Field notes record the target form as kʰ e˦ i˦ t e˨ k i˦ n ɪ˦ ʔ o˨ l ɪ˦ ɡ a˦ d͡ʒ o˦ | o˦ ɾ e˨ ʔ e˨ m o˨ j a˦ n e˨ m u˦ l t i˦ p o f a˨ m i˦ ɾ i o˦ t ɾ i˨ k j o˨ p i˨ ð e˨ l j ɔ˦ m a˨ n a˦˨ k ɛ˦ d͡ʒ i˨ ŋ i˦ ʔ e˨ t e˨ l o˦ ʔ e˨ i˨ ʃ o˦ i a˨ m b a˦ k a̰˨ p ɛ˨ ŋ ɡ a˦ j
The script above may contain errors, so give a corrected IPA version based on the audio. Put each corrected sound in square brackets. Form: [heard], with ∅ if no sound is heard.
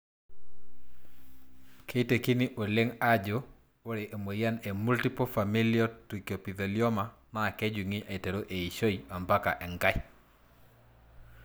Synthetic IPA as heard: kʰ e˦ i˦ t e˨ k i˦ n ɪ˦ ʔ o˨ l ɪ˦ [ŋ] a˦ d͡ʒ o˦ | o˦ ɾ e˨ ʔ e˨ m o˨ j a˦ n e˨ m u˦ l t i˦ p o f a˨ m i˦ [l] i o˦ t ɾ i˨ k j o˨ p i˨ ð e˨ l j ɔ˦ m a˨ n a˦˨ k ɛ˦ d͡ʒ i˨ ŋ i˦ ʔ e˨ t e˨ [ɾ] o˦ ʔ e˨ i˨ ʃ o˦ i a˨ m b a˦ k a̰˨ [ʔ] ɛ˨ ŋ ɡ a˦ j